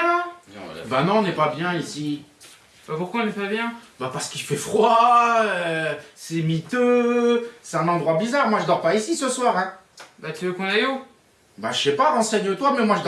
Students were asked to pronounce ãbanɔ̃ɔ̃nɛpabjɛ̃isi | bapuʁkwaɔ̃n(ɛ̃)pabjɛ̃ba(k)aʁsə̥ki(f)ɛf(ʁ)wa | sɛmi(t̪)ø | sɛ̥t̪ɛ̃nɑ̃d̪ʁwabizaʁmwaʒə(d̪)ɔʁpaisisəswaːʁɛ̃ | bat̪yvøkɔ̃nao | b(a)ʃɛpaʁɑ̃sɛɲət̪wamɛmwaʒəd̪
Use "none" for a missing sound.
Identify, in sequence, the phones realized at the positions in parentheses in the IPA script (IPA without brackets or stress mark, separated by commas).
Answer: ɛ, p, f, χ, t̪, d̪, a